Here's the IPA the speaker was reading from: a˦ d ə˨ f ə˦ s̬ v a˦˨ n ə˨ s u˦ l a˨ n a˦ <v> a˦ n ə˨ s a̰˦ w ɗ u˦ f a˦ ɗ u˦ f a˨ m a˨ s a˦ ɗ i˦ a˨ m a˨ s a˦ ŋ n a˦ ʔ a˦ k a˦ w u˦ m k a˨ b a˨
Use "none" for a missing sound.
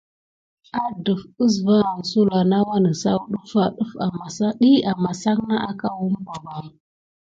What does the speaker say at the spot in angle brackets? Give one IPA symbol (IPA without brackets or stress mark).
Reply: w